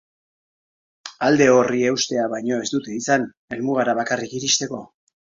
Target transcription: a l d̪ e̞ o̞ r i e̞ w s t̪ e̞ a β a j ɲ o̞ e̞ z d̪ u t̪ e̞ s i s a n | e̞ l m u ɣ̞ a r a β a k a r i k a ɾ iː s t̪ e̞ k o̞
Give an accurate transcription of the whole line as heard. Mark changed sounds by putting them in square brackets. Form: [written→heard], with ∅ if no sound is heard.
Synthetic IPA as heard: a l d̪ e̞ o̞ r i e̞ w s t̪ e̞ a β a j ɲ o̞ e̞ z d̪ u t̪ e̞ [s→∅] i s a n | e̞ l m u ɣ̞ a [r→ɾ] a β a k a r i k [a→i] ɾ [iː→i] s t̪ e̞ k o̞